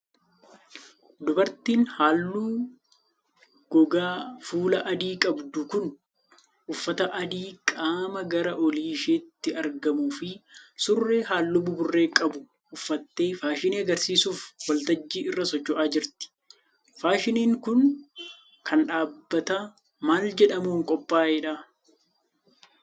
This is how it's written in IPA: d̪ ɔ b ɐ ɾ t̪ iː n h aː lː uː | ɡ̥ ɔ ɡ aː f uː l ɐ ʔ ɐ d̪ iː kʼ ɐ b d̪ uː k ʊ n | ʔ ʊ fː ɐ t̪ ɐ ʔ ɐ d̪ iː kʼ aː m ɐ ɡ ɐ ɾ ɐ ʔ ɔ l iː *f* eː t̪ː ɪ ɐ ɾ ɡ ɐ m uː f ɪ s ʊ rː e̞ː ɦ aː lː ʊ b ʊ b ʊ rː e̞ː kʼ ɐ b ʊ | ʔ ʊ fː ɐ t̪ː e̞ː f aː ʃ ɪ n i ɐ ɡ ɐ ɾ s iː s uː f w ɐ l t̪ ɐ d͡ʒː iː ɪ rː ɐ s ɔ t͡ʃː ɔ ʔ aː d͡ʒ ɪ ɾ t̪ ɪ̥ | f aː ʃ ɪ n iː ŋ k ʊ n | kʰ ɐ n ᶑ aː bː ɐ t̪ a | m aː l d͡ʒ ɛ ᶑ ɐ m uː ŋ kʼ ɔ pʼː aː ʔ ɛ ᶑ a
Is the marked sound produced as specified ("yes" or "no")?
no